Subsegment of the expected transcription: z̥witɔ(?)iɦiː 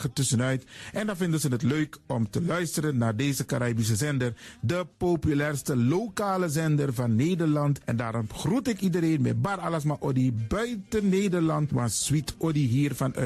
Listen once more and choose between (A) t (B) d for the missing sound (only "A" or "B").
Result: B